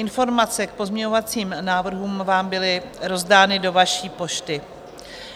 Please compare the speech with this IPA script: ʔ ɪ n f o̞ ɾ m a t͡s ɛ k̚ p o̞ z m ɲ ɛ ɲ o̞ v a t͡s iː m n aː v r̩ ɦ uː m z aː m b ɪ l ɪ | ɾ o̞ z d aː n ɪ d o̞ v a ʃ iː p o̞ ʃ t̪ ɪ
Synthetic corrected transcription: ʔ ɪ n f o̞ ɾ m a t͡s ɛ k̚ p o̞ z m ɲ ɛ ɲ o̞ v a t͡s iː m n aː v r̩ ɦ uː m v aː m b ɪ l ɪ | ɾ o̞ z d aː n ɪ d o̞ v a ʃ iː p o̞ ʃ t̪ ɪ